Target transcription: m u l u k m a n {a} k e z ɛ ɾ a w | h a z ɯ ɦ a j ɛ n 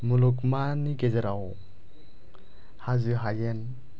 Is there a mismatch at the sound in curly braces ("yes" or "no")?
yes